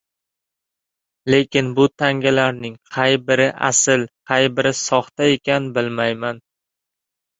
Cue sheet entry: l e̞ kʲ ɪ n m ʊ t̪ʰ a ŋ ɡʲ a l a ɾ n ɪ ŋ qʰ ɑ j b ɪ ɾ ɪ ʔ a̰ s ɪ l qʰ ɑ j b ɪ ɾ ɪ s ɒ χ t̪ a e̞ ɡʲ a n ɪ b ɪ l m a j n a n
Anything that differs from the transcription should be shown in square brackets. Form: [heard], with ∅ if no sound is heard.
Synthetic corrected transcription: l e̞ kʲ ɪ n [b] ʊ t̪ʰ a ŋ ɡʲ a l a ɾ n ɪ ŋ qʰ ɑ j b ɪ ɾ ɪ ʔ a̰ s ɪ l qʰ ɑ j b ɪ ɾ ɪ s ɒ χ t̪ a e̞ [kʲ] a n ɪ b ɪ l m a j [m] a n